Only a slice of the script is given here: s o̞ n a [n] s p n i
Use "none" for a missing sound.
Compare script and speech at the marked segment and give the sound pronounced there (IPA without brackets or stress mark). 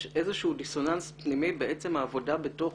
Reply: n